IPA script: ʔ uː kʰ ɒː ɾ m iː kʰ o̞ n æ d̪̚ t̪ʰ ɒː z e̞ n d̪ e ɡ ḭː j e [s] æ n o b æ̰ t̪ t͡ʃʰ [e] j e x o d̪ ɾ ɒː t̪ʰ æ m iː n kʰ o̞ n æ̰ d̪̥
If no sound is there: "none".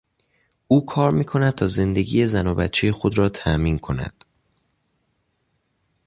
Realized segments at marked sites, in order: z, e

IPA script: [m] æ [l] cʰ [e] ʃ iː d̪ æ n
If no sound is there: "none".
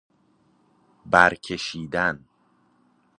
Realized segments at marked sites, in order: b, ɾ, e

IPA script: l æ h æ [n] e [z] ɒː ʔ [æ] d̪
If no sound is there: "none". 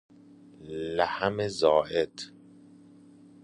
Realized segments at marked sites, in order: m, z, e

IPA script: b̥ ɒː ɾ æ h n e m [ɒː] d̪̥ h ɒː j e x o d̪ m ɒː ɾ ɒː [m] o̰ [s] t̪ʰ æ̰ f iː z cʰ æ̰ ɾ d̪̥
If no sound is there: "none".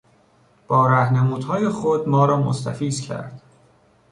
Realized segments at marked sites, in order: uː, m, s

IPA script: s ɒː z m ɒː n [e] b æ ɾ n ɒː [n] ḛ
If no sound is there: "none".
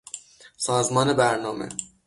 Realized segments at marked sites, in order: e, m

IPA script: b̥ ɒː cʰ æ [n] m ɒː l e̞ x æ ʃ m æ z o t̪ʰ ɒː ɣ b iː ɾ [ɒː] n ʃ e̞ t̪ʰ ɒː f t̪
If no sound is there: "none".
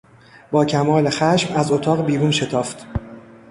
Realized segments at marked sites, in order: none, uː

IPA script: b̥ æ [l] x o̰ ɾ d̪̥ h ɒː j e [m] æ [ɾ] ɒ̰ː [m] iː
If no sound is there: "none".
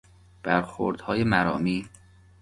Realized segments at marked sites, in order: ɾ, m, ɾ, m

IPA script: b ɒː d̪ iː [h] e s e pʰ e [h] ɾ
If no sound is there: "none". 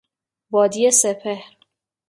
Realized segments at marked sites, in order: none, h

